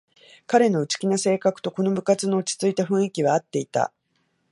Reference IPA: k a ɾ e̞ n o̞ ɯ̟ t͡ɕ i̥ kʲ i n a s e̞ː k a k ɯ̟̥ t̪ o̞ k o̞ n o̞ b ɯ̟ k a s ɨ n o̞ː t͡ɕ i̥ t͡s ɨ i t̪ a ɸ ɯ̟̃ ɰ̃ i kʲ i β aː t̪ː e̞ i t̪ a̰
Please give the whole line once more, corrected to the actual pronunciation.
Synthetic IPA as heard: k a ɾ e̞ n o̞ ɯ̟ t͡ɕ i̥ kʲ i n a s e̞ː k a k ɯ̟̥ t̪ o̞ k o̞ n o̞ b ɯ̟ k a t͡s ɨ n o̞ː t͡ɕ i̥ t͡s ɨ i t̪ a ɸ ɯ̟̃ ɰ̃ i kʲ i β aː t̪ː e̞ i t̪ a̰